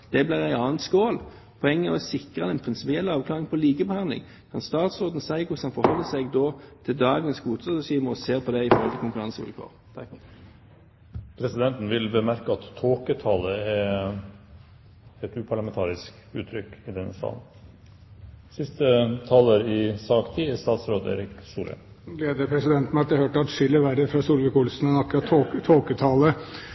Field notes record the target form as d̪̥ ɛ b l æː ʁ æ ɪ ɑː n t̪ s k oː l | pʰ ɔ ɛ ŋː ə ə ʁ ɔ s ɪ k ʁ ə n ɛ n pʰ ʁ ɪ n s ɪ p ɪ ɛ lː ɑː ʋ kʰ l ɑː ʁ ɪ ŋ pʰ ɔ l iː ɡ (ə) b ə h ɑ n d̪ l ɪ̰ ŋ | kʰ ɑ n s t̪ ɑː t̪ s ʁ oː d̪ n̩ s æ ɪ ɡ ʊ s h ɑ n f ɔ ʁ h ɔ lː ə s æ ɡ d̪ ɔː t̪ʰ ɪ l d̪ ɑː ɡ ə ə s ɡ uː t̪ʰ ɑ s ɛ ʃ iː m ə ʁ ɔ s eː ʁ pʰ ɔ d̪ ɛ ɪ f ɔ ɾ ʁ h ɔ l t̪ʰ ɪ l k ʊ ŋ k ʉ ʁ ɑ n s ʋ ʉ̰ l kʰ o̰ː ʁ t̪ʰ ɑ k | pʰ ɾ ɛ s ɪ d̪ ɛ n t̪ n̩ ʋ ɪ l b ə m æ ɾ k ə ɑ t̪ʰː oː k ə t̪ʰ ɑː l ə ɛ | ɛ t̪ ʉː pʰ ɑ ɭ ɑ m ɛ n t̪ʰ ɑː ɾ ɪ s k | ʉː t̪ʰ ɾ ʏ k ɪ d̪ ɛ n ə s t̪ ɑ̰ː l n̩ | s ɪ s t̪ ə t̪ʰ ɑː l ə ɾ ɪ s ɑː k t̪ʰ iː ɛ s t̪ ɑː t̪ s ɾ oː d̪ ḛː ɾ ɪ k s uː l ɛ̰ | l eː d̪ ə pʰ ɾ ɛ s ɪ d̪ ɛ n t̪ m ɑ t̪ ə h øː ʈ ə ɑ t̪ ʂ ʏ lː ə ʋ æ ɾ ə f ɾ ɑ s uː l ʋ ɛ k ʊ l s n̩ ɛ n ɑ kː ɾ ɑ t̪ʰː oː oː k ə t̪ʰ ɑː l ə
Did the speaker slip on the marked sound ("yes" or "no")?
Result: no